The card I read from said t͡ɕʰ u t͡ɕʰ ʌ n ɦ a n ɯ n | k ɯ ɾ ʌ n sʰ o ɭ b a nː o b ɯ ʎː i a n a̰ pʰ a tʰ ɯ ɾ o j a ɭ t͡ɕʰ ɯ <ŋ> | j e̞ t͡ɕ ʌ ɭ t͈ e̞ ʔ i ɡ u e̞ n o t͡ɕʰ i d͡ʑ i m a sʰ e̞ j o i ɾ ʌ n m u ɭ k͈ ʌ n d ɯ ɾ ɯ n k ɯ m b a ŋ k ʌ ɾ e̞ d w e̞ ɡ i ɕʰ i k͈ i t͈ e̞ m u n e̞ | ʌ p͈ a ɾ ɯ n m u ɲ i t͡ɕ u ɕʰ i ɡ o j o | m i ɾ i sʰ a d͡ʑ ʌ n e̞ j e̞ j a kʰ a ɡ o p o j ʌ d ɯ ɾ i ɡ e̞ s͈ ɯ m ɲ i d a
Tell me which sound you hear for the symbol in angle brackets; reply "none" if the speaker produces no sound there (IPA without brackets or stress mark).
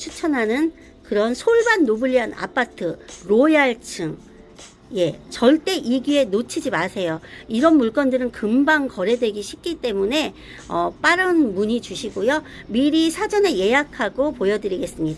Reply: ŋ